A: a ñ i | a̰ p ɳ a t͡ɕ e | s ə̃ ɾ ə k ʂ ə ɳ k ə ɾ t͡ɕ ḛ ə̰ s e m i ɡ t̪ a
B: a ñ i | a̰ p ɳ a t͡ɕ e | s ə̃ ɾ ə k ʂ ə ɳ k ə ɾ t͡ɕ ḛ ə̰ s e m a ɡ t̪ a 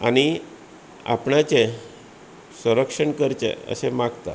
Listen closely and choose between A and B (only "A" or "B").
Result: B